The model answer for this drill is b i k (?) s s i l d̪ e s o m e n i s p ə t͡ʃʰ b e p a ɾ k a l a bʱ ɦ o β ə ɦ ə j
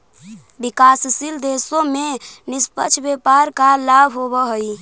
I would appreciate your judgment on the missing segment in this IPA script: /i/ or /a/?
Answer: a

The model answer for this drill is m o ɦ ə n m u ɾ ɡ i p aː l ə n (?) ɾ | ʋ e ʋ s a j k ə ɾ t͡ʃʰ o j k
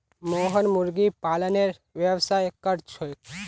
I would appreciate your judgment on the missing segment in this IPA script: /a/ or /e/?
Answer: e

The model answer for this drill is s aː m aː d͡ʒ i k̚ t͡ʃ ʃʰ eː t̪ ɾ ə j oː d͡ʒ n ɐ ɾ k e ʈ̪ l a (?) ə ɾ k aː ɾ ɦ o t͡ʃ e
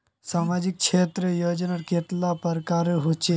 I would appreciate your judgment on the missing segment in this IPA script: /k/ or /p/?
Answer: p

